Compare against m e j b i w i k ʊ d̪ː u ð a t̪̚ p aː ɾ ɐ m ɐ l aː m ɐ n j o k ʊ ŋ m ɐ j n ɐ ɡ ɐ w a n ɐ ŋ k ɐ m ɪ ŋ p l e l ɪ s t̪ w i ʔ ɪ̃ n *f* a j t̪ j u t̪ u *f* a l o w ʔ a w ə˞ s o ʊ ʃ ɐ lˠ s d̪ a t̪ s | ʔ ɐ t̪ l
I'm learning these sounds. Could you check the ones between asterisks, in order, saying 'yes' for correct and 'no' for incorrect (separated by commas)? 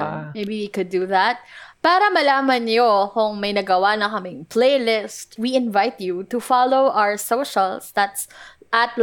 no, yes